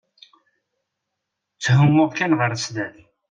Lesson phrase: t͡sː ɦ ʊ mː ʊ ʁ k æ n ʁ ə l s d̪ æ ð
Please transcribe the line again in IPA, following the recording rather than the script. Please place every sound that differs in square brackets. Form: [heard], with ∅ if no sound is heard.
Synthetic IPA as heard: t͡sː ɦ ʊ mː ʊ ʁ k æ n ʁ ə [ɾ] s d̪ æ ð